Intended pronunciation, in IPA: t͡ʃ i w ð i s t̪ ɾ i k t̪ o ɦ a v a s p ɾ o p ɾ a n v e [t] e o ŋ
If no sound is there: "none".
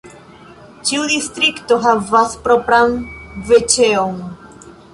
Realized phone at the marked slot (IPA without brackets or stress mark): t͡ʃ